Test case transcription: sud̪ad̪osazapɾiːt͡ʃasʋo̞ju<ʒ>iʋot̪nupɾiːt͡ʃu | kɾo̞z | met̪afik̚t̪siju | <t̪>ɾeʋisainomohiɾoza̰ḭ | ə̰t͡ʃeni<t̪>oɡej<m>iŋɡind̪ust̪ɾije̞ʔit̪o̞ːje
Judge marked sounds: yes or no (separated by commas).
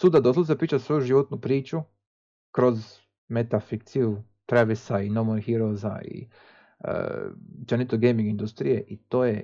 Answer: yes, yes, yes, yes